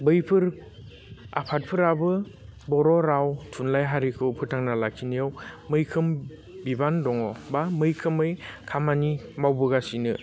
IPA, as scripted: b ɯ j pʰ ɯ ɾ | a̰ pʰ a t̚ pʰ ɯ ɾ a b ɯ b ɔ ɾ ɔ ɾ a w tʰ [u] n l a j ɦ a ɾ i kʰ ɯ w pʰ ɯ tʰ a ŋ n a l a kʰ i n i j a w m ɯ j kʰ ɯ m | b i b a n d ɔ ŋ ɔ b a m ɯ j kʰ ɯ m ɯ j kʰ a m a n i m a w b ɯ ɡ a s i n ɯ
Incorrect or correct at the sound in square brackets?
correct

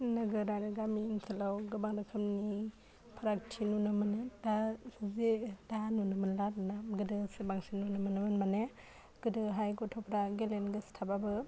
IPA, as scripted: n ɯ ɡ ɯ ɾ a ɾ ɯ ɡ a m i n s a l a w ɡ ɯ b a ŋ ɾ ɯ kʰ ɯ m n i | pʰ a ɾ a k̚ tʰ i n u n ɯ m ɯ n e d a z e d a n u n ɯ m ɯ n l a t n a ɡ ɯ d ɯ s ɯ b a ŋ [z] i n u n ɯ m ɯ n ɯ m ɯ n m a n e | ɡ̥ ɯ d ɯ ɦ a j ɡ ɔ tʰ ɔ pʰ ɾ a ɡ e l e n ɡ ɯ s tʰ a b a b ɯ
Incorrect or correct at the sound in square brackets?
incorrect: s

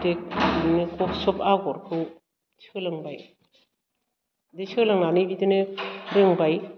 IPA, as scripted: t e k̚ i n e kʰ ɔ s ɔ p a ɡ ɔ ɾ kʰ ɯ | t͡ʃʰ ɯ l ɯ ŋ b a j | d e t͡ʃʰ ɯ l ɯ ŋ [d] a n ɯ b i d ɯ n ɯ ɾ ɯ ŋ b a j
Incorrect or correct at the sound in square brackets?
incorrect: n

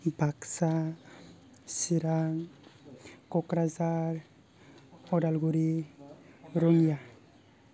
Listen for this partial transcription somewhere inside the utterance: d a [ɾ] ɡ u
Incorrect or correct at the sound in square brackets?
incorrect: l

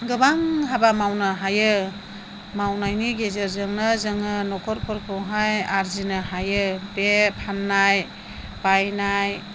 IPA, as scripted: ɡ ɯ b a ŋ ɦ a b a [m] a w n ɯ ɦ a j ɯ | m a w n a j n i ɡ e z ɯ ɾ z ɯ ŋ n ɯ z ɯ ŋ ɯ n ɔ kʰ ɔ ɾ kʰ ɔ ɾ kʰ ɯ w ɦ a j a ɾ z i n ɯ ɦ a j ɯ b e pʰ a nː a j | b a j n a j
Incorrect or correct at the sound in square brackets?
correct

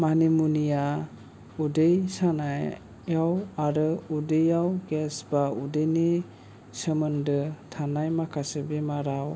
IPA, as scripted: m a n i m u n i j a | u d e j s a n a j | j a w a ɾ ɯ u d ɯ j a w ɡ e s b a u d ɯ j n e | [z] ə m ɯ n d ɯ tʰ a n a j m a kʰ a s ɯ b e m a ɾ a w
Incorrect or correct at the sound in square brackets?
incorrect: s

